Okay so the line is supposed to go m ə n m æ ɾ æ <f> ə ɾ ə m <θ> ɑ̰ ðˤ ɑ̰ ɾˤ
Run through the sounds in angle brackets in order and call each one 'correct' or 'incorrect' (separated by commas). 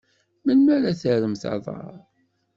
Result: incorrect, correct